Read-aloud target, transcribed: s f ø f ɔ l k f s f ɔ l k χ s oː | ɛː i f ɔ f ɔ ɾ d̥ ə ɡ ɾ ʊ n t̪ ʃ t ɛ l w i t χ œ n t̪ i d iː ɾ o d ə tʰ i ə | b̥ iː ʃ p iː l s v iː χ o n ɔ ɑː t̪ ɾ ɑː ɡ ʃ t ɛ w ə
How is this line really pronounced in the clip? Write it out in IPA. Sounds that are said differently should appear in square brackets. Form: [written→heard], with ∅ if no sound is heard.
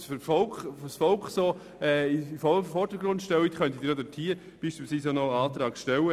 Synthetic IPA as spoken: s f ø f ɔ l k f s f ɔ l k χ s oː | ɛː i f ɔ f ɔ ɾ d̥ ə ɡ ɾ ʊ n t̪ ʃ t ɛ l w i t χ œ n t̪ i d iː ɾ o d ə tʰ i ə | b̥ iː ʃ p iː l s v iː [χ→s] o n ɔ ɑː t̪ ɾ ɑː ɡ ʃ t ɛ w ə